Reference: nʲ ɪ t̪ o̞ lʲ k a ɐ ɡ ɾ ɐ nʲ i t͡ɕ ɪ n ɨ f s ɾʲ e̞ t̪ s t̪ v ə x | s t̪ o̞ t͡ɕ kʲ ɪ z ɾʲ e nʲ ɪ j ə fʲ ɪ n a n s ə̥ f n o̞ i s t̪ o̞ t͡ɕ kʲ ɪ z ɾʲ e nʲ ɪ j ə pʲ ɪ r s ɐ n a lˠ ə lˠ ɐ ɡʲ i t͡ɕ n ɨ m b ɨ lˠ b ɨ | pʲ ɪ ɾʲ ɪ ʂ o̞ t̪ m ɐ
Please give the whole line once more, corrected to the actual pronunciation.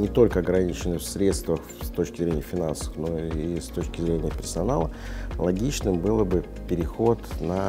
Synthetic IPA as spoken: nʲ ɪ t̪ o̞ lʲ k ə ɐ ɡ ɾ ɐ nʲ i t͡ɕ ɪ n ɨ f s ɾʲ e̞ t̪ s t̪ v ə x | s t̪ o̞ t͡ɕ kʲ ɪ z ɾʲ e nʲ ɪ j ə fʲ ɪ n a n s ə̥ f n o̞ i s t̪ o̞ t͡ɕ kʲ ɪ z ɾʲ e nʲ ɪ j ə pʲ ɪ r s ɐ n a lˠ ə lˠ ɐ ɡʲ i t͡ɕ n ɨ m b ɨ lˠ b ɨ | pʲ ɪ ɾʲ ɪ x o̞ t̪ n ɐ

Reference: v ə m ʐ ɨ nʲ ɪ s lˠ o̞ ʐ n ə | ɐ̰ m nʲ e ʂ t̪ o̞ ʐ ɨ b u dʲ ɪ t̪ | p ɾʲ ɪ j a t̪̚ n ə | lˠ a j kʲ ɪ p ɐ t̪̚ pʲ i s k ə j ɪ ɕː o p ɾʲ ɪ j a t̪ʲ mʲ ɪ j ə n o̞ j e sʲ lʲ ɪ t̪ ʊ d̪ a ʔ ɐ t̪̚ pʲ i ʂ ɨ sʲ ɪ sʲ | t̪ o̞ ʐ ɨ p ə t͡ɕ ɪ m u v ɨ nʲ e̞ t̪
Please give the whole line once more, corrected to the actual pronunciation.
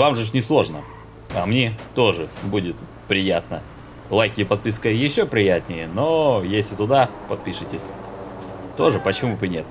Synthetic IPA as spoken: v a m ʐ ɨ nʲ ɪ s lˠ o̞ ʐ n ə | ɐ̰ m nʲ e t̪ o̞ ʐ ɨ b u dʲ ɪ t̪ | p ɾʲ ɪ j a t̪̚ n ə | lˠ a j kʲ ɪ p ɐ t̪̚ pʲ i s k ə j ɪ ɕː o p ɾʲ ɪ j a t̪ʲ nʲ ɪ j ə n o̞ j e sʲ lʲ ɪ t̪ ʊ d̪ a p ɐ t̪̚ pʲ i ʂ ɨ tʲ ɪ sʲ | t̪ o̞ ʐ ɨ p ə t͡ɕ ɪ m u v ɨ nʲ e̞ t̪

